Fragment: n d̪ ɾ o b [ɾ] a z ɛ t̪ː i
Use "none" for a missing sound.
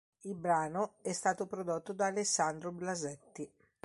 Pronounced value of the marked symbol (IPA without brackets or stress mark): l